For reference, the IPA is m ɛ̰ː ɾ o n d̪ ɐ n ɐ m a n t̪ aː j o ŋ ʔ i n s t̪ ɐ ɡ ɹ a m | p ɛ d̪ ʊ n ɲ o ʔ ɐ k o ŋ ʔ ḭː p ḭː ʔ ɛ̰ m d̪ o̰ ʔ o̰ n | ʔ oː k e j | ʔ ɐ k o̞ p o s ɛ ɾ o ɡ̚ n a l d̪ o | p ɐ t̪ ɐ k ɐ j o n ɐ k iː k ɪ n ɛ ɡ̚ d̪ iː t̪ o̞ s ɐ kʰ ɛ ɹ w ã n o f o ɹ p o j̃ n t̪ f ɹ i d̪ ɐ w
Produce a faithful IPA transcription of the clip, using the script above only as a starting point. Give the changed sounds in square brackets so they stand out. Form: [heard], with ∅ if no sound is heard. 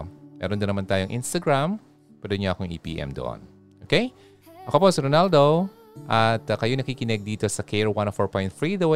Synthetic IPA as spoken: m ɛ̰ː ɾ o n d̪ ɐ n ɐ m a n t̪ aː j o ŋ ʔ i n s t̪ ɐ ɡ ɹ a m | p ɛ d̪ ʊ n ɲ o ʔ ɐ k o ŋ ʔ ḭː p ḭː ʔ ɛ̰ m d̪ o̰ ʔ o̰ n | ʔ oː k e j | ʔ ɐ k o̞ p o s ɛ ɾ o [∅] n a l d̪ o | [ʔ] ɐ t̪ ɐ k ɐ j o n ɐ k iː k ɪ n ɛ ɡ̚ d̪ iː t̪ o̞ s ɐ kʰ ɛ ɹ w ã n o f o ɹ p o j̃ n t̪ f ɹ i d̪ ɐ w